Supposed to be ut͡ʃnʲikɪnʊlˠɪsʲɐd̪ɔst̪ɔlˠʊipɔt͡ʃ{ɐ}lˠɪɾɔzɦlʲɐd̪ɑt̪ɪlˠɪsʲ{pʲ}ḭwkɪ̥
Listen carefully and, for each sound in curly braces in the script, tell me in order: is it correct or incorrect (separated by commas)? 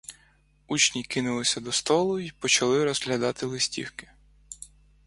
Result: correct, incorrect